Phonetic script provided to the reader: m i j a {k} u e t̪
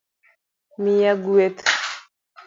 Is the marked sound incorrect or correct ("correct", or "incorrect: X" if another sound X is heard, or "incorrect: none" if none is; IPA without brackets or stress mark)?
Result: incorrect: ɡ